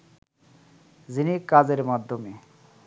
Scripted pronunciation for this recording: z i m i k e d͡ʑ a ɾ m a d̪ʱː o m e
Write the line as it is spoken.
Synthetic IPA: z i n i k a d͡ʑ e ɾ m a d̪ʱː o m e